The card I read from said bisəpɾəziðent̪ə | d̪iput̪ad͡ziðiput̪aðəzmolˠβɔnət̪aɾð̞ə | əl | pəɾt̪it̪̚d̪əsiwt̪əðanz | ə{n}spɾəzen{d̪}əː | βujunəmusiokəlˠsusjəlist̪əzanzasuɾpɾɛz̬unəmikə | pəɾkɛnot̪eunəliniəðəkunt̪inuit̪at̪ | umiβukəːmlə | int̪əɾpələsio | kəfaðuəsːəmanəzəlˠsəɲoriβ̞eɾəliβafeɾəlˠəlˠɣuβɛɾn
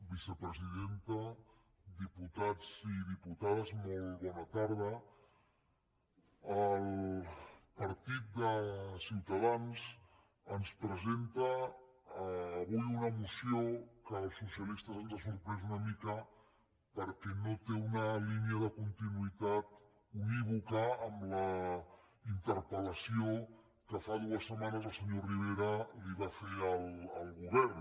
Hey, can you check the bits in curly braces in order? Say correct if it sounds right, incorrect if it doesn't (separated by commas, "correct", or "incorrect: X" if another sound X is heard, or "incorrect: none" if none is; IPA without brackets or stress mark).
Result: correct, incorrect: t̪